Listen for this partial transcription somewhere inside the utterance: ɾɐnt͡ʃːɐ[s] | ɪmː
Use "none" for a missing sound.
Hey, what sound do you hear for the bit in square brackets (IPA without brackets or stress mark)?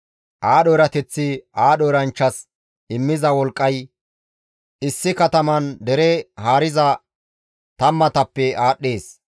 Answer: s